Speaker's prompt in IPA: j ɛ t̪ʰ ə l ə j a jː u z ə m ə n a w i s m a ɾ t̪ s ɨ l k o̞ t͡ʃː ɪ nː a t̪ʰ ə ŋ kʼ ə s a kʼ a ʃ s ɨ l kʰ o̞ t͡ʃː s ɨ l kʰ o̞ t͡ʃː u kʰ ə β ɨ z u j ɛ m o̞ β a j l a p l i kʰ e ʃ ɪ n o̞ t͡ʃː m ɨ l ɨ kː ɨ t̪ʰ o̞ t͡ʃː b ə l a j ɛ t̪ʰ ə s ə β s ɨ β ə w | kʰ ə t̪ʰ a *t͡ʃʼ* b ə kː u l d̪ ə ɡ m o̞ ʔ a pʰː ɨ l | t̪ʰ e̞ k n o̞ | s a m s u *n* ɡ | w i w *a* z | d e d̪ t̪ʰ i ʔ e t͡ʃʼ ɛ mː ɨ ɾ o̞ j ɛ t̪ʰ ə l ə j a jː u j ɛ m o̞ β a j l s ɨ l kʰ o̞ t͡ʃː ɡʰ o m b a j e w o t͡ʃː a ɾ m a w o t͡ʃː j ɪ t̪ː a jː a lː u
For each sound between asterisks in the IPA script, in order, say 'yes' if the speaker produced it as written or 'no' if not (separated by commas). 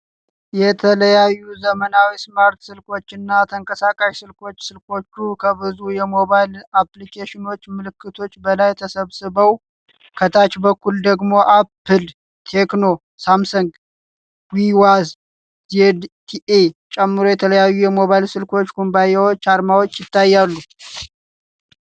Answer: no, no, yes